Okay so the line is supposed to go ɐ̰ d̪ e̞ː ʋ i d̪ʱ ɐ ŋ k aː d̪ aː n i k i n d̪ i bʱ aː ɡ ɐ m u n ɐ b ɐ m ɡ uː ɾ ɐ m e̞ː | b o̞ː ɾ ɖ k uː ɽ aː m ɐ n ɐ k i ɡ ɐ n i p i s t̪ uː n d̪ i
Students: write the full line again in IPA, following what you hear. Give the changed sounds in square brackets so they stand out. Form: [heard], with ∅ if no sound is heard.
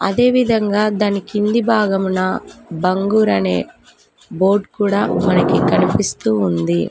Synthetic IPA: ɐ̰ d̪ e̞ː ʋ i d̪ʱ ɐ ŋ [ɡ] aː d̪ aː n i k i n d̪ i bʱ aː ɡ ɐ m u n ɐ b ɐ [ŋ] ɡ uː ɾ ɐ [n] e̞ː | b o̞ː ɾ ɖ k uː ɽ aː m ɐ n ɐ k i [k] ɐ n i p i s t̪ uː n d̪ i

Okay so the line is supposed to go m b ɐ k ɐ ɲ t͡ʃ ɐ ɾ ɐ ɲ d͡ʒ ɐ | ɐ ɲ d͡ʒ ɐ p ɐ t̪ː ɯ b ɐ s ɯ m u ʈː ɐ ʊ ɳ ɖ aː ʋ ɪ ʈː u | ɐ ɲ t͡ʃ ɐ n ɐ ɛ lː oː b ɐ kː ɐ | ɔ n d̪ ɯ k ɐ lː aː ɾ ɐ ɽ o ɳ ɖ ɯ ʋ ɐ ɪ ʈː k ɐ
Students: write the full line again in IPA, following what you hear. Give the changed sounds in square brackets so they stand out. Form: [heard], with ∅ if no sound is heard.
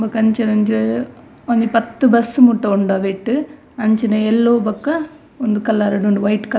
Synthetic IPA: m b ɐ k ɐ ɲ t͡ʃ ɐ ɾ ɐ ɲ d͡ʒ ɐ | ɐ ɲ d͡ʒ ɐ p ɐ t̪ː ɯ b ɐ s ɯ m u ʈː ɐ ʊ ɳ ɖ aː ʋ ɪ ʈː [ɯ] | ɐ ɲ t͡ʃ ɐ n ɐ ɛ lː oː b ɐ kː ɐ | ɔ n d̪ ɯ k ɐ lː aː ɾ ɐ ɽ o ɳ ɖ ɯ ʋ ɐ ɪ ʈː k ɐ

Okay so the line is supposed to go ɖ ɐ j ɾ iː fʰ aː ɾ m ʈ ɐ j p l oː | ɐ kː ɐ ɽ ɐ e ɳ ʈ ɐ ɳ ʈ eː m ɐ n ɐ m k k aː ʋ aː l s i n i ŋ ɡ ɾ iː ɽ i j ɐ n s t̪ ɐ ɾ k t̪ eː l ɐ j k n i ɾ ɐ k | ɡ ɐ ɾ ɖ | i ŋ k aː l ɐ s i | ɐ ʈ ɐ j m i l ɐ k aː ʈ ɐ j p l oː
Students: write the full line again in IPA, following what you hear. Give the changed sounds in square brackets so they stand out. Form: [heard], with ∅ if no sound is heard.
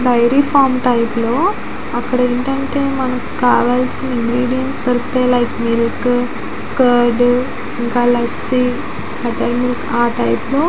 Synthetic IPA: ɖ ɐ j ɾ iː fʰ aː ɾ m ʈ ɐ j p l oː | ɐ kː ɐ ɽ ɐ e ɳ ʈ ɐ ɳ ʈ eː m ɐ n ɐ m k k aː ʋ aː l s i n i ŋ ɡ ɾ iː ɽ i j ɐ n s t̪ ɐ ɾ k t̪ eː l ɐ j k [m] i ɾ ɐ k | [k] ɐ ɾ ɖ | i ŋ k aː l ɐ s i | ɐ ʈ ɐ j m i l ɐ k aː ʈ ɐ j p l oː

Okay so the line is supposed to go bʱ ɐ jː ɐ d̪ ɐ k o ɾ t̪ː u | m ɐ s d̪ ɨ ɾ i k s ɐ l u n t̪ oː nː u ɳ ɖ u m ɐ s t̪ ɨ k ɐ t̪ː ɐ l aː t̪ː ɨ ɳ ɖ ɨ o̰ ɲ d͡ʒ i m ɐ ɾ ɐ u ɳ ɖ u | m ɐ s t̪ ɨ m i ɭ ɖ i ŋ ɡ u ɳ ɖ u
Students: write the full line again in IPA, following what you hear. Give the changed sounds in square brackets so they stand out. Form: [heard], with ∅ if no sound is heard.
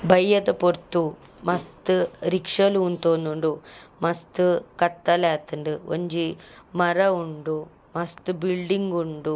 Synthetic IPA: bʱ ɐ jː ɐ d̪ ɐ [p] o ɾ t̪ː u | m ɐ s [t̪] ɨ ɾ i k [ʂ] ɐ l u n t̪ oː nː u ɳ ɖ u m ɐ s t̪ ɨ k ɐ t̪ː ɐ l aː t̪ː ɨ ɳ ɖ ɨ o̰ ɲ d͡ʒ i m ɐ ɾ ɐ u ɳ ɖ u | m ɐ s t̪ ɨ [b] i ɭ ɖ i ŋ ɡ u ɳ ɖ u

